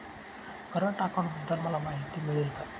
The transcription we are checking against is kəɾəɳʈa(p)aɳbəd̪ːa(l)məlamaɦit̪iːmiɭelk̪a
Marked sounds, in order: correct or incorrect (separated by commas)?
incorrect, correct